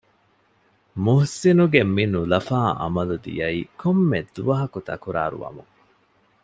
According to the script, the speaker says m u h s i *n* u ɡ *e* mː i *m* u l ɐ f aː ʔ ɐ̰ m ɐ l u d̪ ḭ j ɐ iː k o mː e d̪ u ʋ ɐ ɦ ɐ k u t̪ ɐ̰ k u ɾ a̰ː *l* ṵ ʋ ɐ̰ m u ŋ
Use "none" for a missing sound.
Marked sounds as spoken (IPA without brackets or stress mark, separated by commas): n, e, n, ɾ